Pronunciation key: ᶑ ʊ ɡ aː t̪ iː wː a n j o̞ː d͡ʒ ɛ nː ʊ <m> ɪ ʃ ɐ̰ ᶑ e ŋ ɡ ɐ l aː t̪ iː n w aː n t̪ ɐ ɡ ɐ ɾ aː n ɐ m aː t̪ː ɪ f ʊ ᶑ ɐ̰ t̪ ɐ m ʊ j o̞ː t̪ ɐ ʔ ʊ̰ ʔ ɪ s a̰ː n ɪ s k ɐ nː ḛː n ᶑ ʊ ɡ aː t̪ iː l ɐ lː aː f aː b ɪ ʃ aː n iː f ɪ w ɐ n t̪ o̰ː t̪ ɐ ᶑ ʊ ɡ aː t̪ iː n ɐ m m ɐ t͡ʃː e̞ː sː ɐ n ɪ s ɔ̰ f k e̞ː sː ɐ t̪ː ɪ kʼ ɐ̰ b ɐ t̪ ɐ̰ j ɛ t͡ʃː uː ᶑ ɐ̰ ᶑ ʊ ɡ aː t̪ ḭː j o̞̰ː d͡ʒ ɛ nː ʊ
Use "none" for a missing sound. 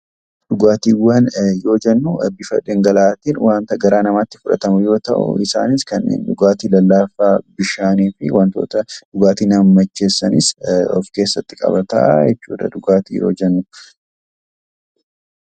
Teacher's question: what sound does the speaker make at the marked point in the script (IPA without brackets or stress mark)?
b